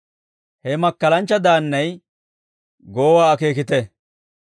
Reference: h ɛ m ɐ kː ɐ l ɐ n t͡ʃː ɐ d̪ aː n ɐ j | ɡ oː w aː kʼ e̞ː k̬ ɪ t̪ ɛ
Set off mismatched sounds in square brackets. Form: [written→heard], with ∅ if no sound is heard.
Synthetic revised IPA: h ɛ m ɐ kː ɐ l ɐ n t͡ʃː ɐ d̪ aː [n→nː] ɐ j | ɡ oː w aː [kʼ→k] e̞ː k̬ ɪ t̪ ɛ